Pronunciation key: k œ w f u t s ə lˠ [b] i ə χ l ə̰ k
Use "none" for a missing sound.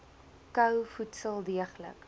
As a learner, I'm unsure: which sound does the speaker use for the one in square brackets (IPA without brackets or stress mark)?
d